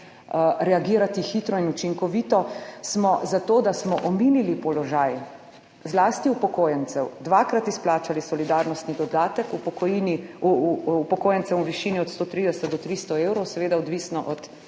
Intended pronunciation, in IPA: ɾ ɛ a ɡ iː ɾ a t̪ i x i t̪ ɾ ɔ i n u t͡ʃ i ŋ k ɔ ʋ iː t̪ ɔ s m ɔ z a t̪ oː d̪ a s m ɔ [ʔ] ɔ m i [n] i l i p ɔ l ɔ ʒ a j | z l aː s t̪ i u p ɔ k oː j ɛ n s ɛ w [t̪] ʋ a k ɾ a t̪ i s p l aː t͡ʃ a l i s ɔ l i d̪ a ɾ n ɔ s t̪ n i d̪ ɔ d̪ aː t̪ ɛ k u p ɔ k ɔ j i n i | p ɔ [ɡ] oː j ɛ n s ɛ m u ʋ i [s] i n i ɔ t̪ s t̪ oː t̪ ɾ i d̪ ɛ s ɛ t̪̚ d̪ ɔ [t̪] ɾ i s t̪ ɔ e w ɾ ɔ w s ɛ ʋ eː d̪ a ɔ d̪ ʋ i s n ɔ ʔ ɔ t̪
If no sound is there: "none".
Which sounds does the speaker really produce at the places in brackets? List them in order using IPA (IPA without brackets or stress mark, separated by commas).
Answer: ʔ, n, d̪, k, ʃ, t̪